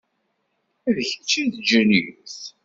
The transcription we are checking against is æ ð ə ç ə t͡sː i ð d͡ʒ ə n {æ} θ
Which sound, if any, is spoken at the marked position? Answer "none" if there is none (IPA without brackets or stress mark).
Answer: i